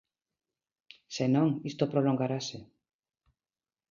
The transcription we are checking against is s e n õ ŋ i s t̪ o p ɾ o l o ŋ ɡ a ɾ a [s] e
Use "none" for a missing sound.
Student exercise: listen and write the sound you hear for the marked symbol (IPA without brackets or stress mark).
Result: s